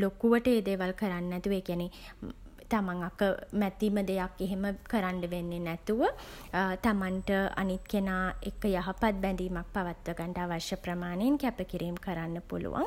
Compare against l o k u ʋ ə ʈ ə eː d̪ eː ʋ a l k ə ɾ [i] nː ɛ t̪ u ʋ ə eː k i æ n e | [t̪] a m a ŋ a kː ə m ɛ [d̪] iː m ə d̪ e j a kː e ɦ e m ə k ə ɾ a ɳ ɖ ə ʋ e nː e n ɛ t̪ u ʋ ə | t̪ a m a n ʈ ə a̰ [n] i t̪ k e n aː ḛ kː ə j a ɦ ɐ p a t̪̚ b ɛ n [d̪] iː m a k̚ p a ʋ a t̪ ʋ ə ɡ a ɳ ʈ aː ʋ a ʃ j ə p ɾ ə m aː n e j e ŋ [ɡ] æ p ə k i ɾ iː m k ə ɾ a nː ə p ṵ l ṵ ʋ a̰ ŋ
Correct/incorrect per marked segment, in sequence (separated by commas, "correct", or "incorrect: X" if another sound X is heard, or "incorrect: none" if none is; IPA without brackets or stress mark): incorrect: a, correct, incorrect: t̪, correct, correct, incorrect: k